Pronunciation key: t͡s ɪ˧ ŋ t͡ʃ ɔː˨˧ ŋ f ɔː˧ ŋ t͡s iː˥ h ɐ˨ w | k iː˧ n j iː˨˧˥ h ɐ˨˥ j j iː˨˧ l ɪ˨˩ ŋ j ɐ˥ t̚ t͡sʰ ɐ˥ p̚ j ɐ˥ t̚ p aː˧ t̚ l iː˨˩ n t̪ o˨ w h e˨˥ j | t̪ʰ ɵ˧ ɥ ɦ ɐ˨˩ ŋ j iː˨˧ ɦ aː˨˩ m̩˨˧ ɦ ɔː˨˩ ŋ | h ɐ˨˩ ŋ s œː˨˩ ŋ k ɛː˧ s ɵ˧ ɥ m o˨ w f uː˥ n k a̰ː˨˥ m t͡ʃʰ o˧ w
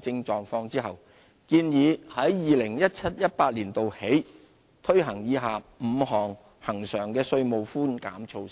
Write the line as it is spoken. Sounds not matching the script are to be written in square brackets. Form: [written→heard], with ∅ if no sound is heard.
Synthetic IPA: t͡s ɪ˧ ŋ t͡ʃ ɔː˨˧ ŋ f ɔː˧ ŋ t͡s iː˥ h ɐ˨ w | k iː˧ n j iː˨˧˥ h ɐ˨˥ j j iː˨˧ l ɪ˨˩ ŋ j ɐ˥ t̚ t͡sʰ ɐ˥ [p̚→t̚] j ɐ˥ t̚ p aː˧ t̚ l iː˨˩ n t̪ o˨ w h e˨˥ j | t̪ʰ [ɵ˧→ɵ˥] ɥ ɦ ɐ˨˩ ŋ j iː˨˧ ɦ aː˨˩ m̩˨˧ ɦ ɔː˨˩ ŋ | h ɐ˨˩ ŋ s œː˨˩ ŋ k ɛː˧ s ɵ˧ ɥ m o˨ w f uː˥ n k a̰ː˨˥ m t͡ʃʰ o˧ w